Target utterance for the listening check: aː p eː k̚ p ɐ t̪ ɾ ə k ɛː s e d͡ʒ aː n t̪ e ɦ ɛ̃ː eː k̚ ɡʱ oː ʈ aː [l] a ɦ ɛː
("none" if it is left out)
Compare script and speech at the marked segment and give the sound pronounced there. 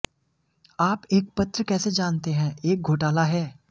l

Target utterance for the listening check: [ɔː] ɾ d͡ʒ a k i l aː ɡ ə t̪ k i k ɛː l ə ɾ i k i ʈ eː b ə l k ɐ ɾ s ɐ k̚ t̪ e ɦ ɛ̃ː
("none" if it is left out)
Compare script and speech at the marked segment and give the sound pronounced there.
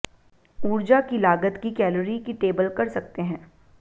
uː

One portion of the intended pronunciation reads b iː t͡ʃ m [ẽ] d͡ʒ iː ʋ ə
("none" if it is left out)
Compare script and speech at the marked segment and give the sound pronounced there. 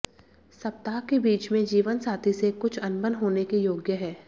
ẽ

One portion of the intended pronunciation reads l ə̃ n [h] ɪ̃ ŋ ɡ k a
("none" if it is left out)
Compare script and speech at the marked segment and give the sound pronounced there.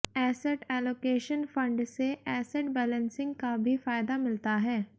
s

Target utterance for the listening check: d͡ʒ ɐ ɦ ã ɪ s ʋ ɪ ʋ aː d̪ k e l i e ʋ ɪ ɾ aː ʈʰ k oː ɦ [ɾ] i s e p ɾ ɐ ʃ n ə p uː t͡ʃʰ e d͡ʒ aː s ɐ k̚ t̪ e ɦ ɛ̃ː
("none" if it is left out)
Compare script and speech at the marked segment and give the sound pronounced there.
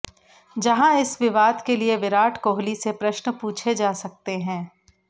l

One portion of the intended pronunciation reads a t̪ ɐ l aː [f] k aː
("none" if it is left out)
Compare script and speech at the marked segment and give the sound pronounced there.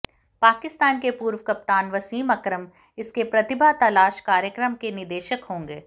ʃ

